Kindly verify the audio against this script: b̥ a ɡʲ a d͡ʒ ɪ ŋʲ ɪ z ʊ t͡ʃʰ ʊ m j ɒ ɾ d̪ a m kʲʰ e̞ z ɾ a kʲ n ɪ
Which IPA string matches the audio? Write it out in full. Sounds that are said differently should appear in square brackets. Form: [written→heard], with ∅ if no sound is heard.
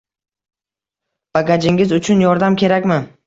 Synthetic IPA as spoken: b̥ a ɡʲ a d͡ʒ ɪ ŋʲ ɪ z ʊ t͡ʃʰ ʊ [m→n] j ɒ ɾ d̪ a m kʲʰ e̞ [z→∅] ɾ a kʲ [n→m] ɪ